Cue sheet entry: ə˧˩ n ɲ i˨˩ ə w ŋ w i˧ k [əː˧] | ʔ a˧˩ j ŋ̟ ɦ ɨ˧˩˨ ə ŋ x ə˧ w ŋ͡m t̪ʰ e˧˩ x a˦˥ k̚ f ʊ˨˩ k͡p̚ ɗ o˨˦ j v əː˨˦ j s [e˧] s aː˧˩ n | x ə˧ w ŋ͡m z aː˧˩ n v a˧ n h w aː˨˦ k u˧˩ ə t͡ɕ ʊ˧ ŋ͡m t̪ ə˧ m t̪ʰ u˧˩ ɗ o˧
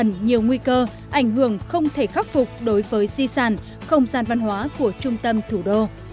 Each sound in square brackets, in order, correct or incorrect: correct, incorrect: i˧

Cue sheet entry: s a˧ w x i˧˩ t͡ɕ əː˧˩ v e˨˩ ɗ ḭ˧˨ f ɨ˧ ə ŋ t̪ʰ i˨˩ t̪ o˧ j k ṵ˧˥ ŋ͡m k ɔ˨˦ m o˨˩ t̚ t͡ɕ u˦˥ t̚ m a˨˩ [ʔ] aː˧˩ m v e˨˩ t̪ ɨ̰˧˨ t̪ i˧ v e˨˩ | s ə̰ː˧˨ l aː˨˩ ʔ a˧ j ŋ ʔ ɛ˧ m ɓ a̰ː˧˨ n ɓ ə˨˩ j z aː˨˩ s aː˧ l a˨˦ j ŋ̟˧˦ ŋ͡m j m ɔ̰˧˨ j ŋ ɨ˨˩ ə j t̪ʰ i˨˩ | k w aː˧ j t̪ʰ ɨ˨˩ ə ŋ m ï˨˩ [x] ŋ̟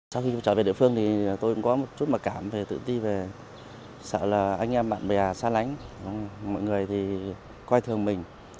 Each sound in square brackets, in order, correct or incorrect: incorrect: k, incorrect: none

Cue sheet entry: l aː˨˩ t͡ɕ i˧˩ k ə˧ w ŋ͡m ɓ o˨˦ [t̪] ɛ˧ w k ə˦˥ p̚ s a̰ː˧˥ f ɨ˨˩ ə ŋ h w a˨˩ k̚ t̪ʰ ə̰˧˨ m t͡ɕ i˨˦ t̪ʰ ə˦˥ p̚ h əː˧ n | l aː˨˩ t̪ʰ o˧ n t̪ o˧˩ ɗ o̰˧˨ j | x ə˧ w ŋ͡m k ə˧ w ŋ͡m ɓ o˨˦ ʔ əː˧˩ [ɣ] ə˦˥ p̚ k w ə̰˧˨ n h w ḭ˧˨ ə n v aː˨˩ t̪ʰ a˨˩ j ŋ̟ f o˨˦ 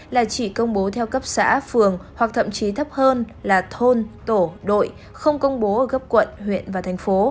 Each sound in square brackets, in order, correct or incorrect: incorrect: t̪ʰ, correct

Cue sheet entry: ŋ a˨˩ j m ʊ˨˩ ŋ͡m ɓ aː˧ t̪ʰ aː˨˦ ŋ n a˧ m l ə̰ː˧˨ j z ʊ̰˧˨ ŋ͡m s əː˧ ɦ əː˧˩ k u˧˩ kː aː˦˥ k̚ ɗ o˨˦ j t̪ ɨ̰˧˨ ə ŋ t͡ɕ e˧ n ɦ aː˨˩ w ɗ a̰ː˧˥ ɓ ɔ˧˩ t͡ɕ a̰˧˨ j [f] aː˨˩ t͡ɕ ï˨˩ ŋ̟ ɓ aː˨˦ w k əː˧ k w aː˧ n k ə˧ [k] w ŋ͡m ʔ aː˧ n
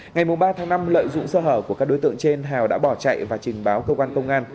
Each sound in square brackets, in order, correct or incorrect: incorrect: v, incorrect: none

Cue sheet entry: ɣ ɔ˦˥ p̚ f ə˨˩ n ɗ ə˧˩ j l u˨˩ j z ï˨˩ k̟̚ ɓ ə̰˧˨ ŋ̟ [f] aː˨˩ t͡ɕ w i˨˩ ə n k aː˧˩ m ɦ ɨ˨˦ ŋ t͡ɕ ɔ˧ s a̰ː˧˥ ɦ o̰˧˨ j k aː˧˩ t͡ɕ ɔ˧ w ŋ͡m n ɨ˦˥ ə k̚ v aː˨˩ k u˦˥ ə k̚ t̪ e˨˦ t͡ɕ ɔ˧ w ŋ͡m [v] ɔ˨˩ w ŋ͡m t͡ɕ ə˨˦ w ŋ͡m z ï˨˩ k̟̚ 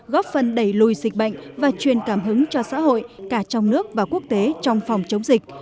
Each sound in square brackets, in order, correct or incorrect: incorrect: v, incorrect: f

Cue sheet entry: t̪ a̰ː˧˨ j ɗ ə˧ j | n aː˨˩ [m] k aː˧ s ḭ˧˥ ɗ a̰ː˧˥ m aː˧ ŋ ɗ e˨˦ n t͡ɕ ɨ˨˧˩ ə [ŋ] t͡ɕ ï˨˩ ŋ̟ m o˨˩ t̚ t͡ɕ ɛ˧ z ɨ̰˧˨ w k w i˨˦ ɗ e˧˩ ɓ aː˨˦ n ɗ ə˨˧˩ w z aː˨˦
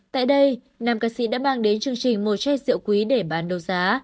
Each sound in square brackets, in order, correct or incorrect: correct, correct

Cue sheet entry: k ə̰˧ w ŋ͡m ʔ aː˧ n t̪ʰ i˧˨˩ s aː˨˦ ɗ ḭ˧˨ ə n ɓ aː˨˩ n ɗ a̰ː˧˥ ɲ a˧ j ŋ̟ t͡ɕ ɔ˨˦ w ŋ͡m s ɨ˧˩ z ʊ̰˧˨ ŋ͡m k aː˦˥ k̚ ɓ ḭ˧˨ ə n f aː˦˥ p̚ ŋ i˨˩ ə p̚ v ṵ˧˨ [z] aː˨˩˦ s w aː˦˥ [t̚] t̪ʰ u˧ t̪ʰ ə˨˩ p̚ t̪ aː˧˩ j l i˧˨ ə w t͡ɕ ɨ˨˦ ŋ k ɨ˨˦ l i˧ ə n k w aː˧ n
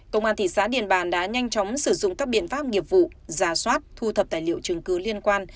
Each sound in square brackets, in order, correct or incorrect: correct, correct

